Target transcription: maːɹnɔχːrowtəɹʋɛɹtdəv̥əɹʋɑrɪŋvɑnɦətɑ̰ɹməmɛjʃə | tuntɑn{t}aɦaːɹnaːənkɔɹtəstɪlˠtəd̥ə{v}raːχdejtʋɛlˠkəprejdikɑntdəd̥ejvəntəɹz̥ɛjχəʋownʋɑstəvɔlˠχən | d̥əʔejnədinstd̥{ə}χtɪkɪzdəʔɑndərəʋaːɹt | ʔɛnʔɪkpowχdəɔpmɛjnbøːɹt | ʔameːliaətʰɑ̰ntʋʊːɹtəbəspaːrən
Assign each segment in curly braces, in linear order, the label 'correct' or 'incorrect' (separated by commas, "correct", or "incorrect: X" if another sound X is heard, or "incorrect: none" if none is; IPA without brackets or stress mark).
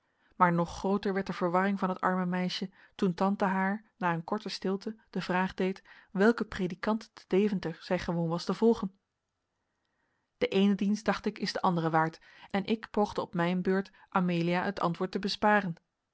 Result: correct, correct, incorrect: ɑ